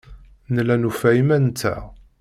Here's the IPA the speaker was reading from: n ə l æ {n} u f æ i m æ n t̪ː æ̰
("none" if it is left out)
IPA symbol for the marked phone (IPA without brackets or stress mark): n